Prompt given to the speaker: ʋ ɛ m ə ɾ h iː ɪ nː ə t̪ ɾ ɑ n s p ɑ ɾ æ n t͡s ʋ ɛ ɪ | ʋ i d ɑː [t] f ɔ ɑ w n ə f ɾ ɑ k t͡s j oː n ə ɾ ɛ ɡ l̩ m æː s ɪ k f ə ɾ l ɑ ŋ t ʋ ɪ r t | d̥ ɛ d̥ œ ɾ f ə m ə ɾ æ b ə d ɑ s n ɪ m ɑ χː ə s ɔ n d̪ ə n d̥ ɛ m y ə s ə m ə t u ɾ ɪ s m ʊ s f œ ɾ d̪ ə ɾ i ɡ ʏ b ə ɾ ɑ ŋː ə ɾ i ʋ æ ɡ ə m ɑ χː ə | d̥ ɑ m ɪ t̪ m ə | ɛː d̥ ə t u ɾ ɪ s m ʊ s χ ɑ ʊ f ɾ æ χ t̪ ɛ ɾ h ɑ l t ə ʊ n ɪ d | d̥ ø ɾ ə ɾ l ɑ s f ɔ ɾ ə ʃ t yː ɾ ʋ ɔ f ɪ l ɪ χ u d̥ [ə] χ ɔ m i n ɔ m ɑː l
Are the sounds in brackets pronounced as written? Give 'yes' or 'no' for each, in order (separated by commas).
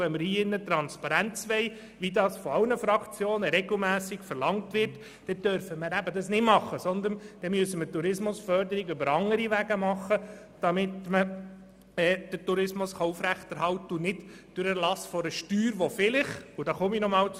no, no